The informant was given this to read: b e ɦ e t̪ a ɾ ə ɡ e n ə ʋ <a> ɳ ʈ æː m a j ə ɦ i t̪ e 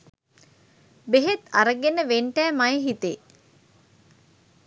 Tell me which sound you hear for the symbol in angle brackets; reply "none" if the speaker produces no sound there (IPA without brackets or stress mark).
e